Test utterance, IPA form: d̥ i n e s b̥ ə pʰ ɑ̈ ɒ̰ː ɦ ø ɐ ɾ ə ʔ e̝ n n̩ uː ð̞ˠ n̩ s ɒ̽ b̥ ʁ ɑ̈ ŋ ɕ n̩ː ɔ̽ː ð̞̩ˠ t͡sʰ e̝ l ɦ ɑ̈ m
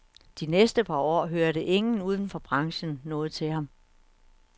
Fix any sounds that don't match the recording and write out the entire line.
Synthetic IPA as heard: d̥ i n e s d̥ ə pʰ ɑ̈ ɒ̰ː ɦ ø ɐ ɾ ə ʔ e̝ ŋ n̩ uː ð̞ˠ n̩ f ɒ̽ b̥ ʁ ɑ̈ ŋ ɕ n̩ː ɔ̽ː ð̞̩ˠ t͡sʰ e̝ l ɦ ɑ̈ m